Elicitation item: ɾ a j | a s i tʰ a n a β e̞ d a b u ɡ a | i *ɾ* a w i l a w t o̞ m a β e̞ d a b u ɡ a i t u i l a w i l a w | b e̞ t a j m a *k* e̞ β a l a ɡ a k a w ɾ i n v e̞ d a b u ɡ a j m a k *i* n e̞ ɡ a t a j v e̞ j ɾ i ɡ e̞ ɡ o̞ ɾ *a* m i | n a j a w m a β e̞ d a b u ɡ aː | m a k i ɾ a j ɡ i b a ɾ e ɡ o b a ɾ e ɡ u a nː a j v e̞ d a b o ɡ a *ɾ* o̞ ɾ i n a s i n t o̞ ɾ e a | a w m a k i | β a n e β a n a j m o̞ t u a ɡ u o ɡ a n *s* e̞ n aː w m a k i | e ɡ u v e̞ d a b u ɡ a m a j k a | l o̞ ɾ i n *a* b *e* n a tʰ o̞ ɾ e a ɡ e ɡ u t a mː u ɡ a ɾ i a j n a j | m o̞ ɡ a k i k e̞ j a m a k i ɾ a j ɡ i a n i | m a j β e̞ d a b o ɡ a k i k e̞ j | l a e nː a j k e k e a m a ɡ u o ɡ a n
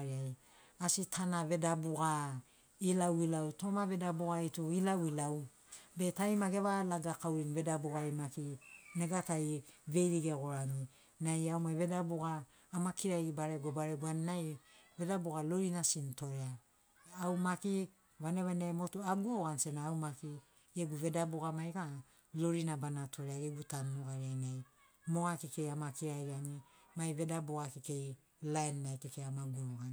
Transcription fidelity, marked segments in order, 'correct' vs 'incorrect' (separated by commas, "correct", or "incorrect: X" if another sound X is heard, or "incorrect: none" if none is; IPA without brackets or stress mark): incorrect: l, incorrect: ɡ, correct, correct, incorrect: l, correct, correct, incorrect: a